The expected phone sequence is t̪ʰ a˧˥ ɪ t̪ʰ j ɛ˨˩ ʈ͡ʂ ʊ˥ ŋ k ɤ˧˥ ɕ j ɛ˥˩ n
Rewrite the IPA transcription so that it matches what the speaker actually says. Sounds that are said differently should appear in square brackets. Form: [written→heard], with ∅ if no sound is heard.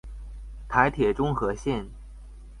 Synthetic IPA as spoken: t̪ʰ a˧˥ ɪ t̪ʰ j ɛ˨˩ ʈ͡ʂ ʊ˥ ŋ [k→x] ɤ˧˥ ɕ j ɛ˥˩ n